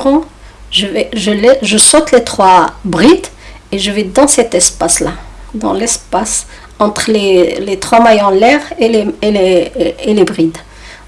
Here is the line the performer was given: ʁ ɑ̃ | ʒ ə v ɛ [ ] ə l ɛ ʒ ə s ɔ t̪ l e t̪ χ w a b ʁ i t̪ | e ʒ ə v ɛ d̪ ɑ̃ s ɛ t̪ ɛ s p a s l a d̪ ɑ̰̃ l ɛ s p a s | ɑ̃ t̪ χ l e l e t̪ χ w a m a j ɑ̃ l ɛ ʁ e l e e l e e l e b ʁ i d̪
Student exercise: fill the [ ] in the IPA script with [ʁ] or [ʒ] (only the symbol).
ʒ